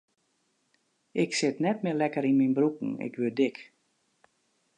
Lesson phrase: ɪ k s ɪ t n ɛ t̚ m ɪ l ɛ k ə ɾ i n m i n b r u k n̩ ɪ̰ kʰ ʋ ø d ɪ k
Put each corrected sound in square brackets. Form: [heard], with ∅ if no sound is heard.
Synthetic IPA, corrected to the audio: ɪ k s ɪ t n ɛ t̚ m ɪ l ɛ k ə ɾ i n m i n b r u k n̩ ɪ̰ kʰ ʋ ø d ɪ k

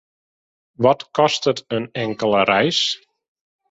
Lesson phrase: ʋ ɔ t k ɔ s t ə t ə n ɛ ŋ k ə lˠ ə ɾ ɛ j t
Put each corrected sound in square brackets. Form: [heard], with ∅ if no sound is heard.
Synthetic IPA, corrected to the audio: ʋ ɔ t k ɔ s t ə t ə n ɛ ŋ k ə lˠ ə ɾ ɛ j [s]

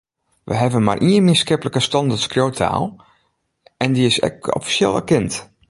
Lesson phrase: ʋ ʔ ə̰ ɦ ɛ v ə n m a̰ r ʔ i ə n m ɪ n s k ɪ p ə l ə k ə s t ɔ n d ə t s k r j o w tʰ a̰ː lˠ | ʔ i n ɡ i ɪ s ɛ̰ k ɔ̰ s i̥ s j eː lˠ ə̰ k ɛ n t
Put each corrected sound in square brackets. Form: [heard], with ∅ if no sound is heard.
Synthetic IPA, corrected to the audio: ʋ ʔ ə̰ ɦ ɛ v ə n m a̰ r ʔ i ə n m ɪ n s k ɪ p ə l ə k ə s t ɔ n d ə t s k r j o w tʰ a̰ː lˠ | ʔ [ɛ] n [d] i ɪ s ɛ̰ k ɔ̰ [f] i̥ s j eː lˠ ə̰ k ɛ n t

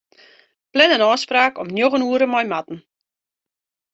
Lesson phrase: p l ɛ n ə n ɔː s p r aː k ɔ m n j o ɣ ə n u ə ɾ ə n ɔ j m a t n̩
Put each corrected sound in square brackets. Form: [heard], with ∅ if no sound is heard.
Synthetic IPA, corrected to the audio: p l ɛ n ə n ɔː s p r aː k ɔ m n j o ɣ ə n u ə ɾ ə [m] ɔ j m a t n̩

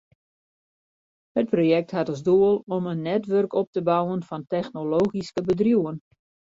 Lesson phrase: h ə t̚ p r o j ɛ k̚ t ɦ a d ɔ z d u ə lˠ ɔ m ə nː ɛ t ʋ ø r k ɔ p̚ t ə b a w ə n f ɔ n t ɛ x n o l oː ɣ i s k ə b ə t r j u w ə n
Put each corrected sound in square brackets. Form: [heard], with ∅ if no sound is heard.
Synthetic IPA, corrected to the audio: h ə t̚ p r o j ɛ k̚ t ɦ a [t] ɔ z d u ə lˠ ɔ m ə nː ɛ t ʋ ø r k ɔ p̚ t ə b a w ə n f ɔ n t ɛ x n o l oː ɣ i s k ə b ə [d] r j u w ə n

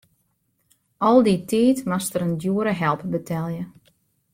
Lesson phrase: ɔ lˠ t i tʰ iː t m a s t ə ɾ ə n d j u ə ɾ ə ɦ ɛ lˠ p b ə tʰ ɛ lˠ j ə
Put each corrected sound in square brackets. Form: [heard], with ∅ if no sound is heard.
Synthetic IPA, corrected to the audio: ɔ lˠ [d] i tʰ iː t m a s t ə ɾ ə n d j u ə ɾ ə ɦ ɛ lˠ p b ə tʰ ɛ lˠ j ə

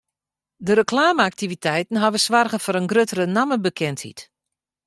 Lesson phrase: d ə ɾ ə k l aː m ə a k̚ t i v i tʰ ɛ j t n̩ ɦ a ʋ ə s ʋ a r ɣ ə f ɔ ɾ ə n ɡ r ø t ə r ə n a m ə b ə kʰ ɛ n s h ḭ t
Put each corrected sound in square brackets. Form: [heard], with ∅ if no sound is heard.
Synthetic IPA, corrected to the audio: d ə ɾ ə k l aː m ə a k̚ t i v i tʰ ɛ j t n̩ ɦ a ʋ ə s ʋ a r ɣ ə f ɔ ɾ ə n ɡ r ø t ə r ə n a m ə b ə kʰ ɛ n [t] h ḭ t

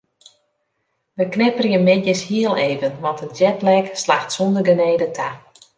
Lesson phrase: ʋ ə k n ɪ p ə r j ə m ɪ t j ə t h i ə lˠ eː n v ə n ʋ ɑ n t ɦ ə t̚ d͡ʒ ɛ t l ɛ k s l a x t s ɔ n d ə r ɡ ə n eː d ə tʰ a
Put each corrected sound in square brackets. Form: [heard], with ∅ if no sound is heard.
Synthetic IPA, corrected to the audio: ʋ ə k n ɪ p ə r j ə m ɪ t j ə [s] h i ə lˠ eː [∅] v ə n ʋ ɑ n t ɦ ə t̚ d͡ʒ ɛ t l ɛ k s l a x t s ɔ n d ə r ɡ ə n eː d ə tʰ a

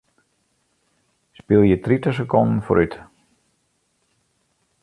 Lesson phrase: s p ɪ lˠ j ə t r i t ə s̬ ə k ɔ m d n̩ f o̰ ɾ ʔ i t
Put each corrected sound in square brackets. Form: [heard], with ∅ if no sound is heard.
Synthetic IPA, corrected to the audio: s p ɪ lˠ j ə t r i t ə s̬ ə k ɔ [n] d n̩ f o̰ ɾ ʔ [y] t

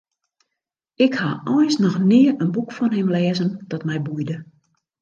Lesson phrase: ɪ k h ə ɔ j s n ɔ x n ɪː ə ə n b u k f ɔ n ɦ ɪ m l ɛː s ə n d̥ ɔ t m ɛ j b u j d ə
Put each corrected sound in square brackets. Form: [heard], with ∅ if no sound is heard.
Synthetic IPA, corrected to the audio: ɪ k h [a] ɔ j s n ɔ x n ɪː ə ə n b u k f ɔ n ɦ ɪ m l ɛː [z] ə n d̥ ɔ t m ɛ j b u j d ə

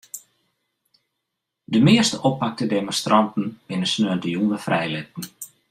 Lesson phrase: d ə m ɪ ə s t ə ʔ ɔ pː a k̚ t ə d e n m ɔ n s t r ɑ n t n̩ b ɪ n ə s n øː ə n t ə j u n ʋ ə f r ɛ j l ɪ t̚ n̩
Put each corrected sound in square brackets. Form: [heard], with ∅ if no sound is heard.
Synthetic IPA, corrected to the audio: d ə m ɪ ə s t ə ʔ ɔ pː a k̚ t ə d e [∅] m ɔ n s t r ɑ n t n̩ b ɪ n ə s n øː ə n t ə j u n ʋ ə f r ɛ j l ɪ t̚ n̩

